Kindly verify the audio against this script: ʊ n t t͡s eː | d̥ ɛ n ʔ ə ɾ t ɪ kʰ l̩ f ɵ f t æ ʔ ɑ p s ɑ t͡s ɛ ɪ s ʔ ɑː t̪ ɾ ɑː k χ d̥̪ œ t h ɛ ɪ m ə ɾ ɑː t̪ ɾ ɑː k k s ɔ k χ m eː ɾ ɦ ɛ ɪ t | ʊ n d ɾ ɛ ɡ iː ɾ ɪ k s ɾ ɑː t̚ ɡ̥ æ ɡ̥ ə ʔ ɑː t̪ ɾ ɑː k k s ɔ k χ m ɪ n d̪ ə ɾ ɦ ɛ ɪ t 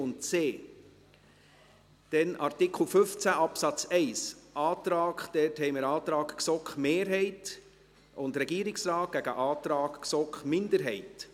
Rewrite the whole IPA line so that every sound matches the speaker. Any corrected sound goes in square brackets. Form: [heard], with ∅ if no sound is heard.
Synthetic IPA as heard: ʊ n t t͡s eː | d̥ ɛ n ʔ [ɑ] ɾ t ɪ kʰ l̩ f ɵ f [t͡s] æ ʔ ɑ p s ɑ t͡s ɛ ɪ s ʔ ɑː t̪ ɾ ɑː k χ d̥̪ [ɛ] t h ɛ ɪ m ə ɾ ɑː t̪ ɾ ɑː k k s ɔ k χ m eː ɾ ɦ ɛ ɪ t | ʊ n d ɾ ɛ ɡ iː ɾ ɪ k s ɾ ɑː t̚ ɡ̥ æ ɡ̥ ə ʔ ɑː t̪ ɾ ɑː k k s ɔ k χ m ɪ n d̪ ə ɾ ɦ ɛ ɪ t